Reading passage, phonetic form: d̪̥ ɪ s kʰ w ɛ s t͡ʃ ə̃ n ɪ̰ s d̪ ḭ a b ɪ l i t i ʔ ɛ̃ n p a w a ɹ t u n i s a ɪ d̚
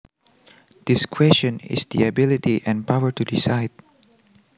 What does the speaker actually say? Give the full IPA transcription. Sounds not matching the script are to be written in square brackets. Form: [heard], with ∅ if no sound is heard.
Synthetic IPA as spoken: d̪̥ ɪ s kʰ w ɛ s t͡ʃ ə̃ n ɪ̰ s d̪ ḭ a b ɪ l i t i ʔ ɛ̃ n p a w [ə] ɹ t u [d] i s a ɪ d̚

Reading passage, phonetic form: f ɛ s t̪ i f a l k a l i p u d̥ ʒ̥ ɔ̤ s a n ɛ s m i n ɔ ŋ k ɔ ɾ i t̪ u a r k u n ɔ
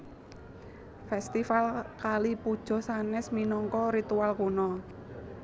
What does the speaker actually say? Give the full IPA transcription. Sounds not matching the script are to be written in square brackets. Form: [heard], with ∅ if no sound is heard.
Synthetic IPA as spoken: f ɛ s t̪ i f a l k a l i p u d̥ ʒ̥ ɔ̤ s a n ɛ s m i n ɔ ŋ k ɔ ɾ i t̪ u a [l] k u n ɔ

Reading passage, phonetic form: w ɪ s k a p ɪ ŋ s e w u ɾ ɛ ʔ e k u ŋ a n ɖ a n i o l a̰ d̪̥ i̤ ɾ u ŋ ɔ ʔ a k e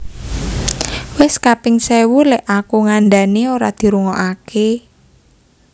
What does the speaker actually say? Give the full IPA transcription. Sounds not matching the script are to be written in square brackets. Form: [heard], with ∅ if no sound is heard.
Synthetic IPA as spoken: w ɪ s k a p ɪ ŋ s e w u [l] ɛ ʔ [a] k u ŋ a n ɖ a n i o [ɾ] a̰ d̪̥ i̤ ɾ u ŋ ɔ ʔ a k e

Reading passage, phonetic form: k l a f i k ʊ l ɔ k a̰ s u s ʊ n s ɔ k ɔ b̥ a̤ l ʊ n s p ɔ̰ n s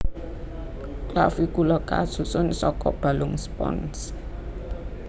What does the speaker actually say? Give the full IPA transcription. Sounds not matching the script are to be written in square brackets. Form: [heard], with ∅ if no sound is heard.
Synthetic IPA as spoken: k l a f i k [u] l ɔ k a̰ s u s ʊ n s ɔ k ɔ b̥ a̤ l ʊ [ŋ] s p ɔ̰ n s

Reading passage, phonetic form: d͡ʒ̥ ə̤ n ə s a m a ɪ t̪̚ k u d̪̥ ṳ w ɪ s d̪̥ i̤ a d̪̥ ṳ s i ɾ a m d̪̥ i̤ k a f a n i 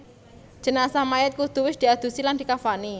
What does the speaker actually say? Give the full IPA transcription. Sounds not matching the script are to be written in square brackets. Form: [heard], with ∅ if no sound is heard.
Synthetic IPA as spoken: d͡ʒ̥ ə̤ n [a] s a m a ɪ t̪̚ k u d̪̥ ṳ w ɪ s d̪̥ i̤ a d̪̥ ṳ s i [l] a [n] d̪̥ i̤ k a f a n i

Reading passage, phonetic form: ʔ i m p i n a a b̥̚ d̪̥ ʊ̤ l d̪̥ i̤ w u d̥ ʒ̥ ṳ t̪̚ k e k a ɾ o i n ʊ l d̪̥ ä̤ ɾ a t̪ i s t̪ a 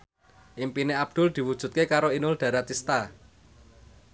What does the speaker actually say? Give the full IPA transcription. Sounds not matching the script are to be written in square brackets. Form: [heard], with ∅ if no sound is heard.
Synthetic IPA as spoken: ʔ i m p i n [e] a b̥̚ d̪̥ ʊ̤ l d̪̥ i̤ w u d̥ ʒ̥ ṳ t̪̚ k e k a ɾ o i n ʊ l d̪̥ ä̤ ɾ a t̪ i s t̪ a

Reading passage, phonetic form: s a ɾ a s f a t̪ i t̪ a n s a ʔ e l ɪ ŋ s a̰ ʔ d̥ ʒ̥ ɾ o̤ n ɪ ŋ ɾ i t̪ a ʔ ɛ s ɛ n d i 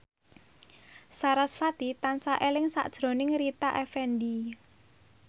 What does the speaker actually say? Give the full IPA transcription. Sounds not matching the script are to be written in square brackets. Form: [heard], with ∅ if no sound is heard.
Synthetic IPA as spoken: s a ɾ a s f a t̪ i t̪ a n s a ʔ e l ɪ ŋ s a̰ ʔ d̥ ʒ̥ ɾ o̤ n ɪ ŋ ɾ i t̪ a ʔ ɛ [f] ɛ n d i

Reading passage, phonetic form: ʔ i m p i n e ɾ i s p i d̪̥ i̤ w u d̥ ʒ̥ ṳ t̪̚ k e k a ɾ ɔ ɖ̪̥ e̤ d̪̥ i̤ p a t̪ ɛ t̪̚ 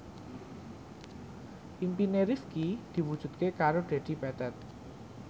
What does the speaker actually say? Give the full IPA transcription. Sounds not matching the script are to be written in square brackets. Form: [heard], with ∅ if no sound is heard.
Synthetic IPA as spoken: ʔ i m p i n e ɾ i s [k] i d̪̥ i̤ w u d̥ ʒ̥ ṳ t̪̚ k e k a ɾ [o] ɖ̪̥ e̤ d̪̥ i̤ p [ɛ] t̪ ɛ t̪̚

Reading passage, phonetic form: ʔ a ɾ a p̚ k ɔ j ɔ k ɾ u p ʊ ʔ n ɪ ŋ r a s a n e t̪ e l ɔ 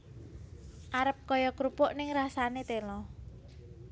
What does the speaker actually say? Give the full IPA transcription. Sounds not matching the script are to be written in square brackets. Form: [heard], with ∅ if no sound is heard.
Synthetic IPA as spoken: ʔ a ɾ [ə] p̚ k ɔ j ɔ k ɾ u p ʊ ʔ n ɪ ŋ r a s a n e t̪ e l ɔ

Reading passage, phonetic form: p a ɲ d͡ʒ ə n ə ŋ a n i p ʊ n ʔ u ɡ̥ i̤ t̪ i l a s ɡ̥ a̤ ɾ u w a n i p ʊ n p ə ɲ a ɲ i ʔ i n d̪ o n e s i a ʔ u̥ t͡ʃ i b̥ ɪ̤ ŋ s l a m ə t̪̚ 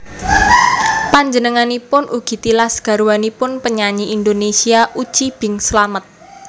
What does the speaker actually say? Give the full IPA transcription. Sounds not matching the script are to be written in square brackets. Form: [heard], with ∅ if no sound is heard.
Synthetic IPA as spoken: p a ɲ d͡ʒ ə n ə ŋ a n i p ʊ n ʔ u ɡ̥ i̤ t̪ i l a s ɡ̥ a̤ ɾ u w a n i p ʊ n p ə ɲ a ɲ i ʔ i n d̪ o n e s i a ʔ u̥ t͡ʃ i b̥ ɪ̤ ŋ s l a m ə t̪̚

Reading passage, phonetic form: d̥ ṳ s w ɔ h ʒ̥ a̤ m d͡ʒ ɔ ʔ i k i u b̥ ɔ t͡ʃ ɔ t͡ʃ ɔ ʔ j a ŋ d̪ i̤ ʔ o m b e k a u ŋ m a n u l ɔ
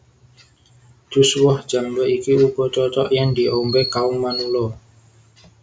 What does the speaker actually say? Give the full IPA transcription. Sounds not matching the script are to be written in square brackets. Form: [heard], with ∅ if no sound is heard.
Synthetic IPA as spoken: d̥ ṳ s w ɔ h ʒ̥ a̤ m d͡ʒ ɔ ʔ i k i u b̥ ɔ t͡ʃ ɔ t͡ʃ ɔ ʔ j a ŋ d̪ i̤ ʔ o m b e k a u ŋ m a n u l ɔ

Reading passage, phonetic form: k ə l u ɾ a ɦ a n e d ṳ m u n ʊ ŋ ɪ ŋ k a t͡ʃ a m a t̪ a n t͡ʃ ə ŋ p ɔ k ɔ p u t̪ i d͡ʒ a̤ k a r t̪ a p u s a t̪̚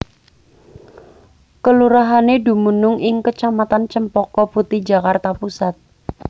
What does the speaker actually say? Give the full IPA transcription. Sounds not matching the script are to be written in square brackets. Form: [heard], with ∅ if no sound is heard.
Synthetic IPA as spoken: k ə l u ɾ a ɦ a n e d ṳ m u n ʊ ŋ ɪ ŋ k [ə] t͡ʃ a m a t̪ a n t͡ʃ ə [m] p ɔ k ɔ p u t̪ i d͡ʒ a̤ k a r t̪ a p u s a t̪̚

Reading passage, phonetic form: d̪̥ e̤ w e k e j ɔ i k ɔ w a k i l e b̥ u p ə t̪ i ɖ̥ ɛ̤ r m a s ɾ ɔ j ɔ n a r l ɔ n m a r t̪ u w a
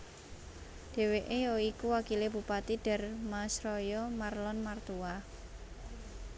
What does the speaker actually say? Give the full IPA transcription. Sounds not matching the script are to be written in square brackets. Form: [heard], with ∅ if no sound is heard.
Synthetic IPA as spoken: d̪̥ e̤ w e [ʔ] e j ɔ i k [u] w a k i l e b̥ u p [a] t̪ i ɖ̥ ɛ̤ r m a s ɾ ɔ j ɔ [m] a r l ɔ n m a r t̪ u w a

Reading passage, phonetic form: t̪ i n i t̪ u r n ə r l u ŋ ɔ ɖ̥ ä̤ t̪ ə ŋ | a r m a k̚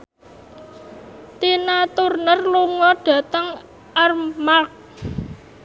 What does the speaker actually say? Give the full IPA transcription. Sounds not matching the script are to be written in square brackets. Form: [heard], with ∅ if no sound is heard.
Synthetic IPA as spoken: t̪ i n [a] t̪ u r n ə r l u ŋ ɔ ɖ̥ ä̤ t̪ ə ŋ | a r m a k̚

